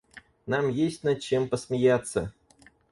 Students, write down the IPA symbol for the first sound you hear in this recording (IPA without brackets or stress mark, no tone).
n